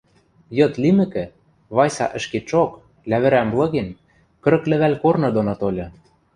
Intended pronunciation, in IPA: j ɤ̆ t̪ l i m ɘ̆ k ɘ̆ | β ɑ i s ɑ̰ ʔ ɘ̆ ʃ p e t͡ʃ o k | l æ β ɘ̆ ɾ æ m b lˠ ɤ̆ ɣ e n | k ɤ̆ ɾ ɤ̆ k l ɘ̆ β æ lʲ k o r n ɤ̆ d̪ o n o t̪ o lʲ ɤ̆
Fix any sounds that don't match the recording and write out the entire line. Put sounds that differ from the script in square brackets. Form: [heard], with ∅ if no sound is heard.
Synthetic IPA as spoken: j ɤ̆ t̪ l i m ɘ̆ k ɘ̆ | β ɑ [j] s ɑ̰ ʔ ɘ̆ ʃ [k] e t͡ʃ o k | l æ β ɘ̆ ɾ æ m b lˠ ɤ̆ ɣ e n | k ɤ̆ ɾ ɤ̆ k l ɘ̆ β æ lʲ k o r n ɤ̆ d̪ o n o t̪ o lʲ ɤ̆